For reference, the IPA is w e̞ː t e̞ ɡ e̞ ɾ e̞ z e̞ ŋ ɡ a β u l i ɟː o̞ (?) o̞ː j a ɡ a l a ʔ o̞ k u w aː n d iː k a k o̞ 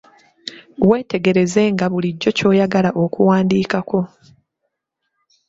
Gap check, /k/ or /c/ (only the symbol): c